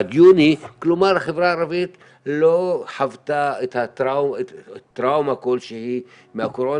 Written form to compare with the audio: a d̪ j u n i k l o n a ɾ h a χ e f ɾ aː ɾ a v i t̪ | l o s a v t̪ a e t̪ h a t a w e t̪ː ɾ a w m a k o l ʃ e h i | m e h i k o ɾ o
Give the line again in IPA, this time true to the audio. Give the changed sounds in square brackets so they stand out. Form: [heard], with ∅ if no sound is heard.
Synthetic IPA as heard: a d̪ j u n i k l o [m] a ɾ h a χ e [v] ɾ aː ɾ a v i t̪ | l o [ħ] a v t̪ a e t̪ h a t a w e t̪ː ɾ a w m a k o l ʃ e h i | m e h [a] k o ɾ o